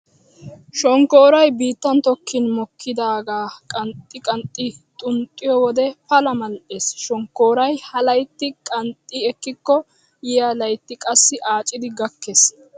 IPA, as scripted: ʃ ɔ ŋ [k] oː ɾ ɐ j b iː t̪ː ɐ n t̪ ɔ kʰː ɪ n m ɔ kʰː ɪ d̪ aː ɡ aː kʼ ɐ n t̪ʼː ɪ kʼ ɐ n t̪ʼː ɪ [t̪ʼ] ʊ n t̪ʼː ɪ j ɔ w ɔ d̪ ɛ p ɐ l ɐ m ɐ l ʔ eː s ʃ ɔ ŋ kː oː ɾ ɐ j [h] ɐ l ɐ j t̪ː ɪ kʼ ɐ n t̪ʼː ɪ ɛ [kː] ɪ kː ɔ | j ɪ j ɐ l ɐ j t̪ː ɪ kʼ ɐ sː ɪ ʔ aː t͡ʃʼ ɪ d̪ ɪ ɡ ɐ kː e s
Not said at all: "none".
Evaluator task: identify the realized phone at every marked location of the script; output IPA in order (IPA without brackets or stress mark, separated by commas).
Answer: k, t̪ʼ, h, kː